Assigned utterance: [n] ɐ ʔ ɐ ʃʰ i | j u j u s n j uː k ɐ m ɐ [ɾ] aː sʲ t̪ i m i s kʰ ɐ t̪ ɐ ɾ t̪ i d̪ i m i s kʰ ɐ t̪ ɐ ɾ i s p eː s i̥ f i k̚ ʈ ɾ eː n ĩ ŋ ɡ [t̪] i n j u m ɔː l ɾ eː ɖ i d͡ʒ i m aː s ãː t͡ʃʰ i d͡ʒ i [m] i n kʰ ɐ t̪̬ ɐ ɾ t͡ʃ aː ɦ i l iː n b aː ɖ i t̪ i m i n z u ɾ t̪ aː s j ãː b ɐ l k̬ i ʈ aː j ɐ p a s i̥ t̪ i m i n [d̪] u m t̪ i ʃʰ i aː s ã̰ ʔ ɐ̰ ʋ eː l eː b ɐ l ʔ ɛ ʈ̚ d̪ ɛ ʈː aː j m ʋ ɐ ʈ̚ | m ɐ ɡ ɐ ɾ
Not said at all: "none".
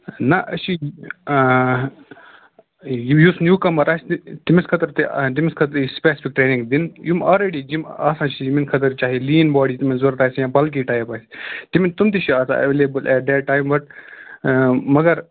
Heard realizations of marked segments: n, ɾ, d̪, m, t̪

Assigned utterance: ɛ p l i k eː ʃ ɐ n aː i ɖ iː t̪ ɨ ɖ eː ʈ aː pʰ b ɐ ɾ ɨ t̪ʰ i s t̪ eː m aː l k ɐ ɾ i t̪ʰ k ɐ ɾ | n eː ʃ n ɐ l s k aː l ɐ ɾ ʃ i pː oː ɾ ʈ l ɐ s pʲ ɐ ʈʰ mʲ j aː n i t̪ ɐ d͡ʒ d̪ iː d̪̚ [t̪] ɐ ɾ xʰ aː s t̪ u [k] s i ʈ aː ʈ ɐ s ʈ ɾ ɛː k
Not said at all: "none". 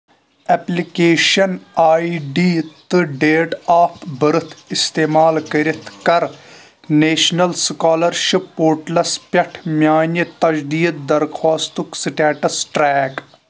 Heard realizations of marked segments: d̪, k

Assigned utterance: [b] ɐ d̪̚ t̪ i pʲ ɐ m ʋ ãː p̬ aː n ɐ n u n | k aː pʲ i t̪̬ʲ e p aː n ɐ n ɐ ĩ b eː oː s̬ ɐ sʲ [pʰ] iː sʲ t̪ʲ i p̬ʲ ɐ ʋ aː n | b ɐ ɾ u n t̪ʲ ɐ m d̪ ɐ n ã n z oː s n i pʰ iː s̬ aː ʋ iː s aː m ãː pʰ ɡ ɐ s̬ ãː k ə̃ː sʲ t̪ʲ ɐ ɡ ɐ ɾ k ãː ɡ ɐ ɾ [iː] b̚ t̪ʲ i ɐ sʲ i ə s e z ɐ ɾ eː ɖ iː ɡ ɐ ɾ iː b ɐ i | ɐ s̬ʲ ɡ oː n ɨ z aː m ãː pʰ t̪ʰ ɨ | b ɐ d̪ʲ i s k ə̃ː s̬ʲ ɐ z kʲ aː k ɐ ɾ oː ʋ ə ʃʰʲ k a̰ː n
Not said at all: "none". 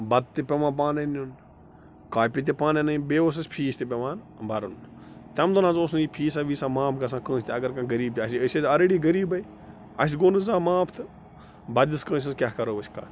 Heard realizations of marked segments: b, pʰ, iː

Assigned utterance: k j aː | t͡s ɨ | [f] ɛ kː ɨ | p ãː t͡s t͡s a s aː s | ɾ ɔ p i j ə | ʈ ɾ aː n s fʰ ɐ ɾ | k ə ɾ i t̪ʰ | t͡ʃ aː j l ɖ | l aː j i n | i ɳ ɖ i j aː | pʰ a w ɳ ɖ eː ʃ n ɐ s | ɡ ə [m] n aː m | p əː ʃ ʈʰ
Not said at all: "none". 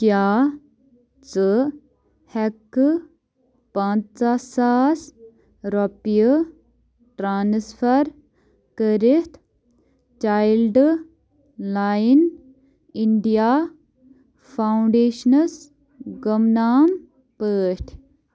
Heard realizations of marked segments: h, m

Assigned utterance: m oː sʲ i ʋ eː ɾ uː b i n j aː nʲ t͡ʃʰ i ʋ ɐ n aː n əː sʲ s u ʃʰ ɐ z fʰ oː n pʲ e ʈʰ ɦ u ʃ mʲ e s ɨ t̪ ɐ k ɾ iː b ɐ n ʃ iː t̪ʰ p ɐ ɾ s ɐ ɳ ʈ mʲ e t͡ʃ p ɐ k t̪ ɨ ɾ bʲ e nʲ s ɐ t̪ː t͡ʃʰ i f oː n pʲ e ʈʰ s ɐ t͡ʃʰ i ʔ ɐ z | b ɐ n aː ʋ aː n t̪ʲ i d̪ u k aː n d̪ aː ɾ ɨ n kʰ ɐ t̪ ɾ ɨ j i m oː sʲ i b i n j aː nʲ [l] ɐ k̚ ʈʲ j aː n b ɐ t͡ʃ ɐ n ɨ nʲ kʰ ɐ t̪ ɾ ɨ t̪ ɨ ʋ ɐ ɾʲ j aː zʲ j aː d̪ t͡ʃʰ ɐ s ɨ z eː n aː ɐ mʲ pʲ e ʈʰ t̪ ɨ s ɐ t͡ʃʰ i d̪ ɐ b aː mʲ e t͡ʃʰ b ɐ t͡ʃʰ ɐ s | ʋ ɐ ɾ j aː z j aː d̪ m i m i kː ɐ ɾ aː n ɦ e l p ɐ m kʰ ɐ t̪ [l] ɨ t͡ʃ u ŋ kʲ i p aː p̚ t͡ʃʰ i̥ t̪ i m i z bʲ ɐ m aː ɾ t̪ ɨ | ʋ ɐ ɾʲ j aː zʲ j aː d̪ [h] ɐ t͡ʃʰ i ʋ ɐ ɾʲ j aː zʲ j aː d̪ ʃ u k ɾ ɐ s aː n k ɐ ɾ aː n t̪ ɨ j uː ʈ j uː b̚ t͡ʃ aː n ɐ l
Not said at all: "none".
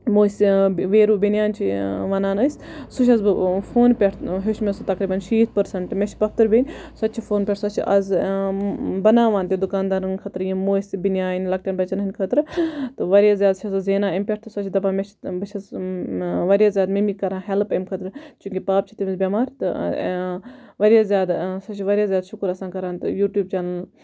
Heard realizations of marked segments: l, ɾ, s

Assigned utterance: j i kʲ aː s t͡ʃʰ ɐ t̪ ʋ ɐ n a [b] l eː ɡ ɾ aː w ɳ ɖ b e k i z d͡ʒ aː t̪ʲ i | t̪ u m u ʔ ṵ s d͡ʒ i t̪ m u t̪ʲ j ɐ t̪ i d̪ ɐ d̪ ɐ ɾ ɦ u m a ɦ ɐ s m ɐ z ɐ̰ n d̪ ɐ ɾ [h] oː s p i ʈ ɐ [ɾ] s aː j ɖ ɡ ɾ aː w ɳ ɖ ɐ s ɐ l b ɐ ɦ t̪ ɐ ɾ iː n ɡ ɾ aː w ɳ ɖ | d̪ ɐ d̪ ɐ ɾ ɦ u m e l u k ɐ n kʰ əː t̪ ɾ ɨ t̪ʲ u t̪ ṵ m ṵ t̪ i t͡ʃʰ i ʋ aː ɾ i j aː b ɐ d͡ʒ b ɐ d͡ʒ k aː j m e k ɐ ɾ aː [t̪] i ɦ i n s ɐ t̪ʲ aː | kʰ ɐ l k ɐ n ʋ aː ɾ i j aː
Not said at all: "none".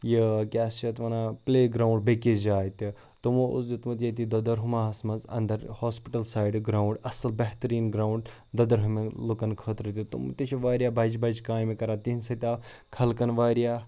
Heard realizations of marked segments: p, h, l, t̪

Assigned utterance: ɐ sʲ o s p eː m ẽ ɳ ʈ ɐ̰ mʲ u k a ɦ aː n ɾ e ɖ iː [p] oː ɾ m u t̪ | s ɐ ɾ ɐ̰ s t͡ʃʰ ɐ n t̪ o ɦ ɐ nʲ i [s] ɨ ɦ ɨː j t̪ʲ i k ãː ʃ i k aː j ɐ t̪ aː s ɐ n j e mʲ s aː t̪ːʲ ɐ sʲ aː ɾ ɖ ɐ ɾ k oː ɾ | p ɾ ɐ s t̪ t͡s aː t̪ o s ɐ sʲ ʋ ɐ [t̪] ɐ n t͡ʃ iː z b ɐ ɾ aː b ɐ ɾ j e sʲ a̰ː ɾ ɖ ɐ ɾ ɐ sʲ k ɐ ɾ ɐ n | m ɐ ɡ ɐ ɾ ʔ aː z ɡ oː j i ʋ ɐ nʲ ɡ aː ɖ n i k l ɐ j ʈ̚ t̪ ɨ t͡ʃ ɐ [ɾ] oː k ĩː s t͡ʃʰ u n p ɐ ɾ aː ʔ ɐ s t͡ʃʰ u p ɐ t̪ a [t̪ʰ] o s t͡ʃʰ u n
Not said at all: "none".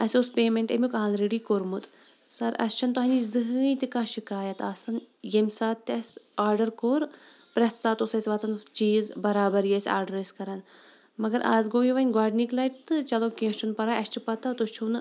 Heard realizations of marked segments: k, z, t̪, l, t̪

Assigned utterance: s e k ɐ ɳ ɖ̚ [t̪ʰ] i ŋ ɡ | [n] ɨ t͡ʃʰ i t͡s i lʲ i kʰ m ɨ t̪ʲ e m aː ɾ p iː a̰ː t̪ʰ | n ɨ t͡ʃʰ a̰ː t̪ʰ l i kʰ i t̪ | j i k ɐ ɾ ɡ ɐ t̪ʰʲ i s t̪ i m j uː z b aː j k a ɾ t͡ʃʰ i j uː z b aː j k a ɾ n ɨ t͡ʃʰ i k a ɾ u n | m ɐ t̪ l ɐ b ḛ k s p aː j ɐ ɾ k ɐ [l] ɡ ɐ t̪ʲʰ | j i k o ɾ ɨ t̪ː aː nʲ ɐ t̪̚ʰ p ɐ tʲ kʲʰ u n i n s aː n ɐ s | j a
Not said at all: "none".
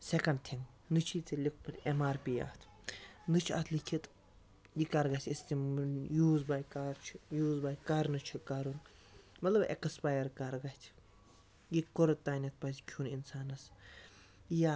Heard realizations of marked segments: t̪ʰ, n, ɾ

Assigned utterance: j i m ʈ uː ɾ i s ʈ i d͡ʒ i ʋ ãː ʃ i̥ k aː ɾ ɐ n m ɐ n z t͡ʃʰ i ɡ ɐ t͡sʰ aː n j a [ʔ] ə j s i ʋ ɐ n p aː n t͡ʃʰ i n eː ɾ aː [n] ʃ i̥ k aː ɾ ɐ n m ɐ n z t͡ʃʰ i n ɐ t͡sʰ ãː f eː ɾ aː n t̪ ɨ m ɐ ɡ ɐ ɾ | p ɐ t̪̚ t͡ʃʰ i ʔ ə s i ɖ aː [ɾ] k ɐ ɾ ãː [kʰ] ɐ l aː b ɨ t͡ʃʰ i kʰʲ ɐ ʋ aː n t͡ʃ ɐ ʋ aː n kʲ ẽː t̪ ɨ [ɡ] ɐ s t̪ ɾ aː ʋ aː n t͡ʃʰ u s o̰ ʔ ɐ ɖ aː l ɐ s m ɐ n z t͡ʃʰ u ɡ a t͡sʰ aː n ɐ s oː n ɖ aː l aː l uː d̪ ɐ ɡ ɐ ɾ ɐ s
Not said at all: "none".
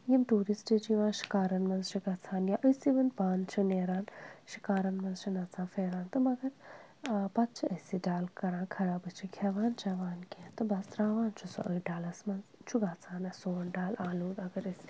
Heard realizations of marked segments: ʔ, n, l, kʰ, b

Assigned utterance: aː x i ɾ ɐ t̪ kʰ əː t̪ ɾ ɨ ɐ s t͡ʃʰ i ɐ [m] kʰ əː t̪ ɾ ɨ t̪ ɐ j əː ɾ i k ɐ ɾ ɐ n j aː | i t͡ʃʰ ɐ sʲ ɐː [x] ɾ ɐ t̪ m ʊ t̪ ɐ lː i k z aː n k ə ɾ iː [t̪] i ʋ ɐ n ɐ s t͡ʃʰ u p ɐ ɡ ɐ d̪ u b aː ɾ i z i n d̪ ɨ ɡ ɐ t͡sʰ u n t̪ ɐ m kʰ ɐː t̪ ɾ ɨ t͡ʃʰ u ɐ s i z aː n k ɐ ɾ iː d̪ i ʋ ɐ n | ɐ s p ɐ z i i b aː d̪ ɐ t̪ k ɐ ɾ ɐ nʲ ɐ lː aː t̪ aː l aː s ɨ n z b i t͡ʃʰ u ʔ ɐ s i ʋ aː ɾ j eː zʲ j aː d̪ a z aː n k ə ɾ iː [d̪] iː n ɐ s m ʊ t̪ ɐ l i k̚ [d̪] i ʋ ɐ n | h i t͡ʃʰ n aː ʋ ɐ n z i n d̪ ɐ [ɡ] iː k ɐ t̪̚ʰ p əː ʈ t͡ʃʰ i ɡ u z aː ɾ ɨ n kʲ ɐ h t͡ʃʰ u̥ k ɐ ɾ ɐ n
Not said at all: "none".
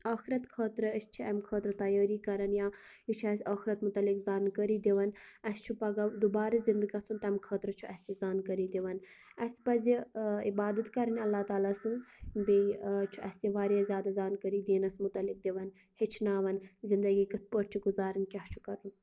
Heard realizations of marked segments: m, x, d̪, d̪, d̪, ɡ

